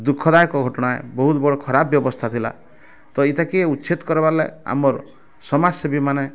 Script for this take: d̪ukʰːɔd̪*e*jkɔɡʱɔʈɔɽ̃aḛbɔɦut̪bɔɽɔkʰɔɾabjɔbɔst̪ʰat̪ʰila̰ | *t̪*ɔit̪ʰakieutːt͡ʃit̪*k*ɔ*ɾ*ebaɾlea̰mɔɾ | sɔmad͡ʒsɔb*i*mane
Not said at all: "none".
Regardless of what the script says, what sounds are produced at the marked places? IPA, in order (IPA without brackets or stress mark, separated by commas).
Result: a, t̪, k, ɾ, i